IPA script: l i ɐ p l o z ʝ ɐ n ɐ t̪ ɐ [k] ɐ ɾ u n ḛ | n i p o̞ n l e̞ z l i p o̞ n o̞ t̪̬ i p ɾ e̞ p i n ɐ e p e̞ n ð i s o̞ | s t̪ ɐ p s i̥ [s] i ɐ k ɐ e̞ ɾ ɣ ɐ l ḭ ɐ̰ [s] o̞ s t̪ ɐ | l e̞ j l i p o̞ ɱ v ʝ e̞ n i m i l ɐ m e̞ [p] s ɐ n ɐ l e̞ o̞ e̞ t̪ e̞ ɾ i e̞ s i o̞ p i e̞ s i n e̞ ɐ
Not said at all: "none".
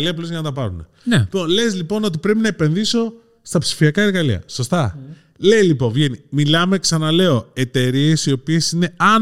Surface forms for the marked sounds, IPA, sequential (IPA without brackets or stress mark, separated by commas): p, f, s, k